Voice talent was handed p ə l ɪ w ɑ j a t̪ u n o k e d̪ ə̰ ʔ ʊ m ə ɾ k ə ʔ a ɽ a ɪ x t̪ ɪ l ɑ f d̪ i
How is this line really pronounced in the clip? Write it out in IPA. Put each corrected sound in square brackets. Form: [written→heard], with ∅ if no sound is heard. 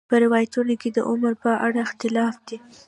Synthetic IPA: p ə [l→ɾ] ɪ w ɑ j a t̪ u n o k e d̪ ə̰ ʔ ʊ m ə ɾ [k→p] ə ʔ a ɽ a ɪ x t̪ ɪ l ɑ f d̪ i